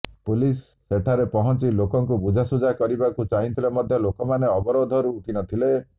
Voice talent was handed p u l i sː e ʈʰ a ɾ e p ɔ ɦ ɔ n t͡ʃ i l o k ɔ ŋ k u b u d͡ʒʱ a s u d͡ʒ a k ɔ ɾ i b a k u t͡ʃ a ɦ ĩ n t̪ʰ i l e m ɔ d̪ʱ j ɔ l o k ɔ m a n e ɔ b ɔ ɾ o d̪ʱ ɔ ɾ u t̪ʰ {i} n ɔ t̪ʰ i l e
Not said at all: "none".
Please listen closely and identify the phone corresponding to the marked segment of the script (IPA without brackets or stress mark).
i